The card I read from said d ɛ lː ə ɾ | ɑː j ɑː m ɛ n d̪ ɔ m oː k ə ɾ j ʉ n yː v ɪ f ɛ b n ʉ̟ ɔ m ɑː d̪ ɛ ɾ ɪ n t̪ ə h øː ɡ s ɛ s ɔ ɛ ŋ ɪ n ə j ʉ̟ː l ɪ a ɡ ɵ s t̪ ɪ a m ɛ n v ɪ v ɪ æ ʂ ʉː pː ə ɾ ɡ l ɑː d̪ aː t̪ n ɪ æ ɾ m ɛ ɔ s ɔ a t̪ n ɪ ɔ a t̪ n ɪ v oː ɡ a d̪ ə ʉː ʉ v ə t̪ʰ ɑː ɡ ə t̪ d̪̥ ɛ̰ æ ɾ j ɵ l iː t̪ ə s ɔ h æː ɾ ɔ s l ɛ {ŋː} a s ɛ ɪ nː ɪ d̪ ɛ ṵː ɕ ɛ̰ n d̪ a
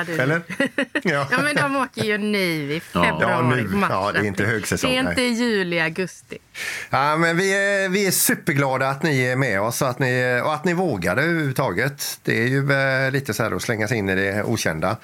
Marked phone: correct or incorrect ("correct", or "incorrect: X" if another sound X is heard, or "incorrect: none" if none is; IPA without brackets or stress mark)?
correct